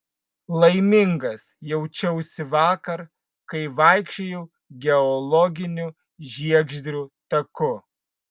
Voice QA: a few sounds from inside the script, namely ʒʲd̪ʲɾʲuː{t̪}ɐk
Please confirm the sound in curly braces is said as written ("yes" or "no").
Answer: yes